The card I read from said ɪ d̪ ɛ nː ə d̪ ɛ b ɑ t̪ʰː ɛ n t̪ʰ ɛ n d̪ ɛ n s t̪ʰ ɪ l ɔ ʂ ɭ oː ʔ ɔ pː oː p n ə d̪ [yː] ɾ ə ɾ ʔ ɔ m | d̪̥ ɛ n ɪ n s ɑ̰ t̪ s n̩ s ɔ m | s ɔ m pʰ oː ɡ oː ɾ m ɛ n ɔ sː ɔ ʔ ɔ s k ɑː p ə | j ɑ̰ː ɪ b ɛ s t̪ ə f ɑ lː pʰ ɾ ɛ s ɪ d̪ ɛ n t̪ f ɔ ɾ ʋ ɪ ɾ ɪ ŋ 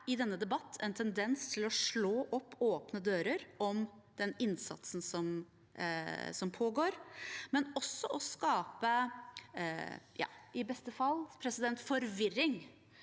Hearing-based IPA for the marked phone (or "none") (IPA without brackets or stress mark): øː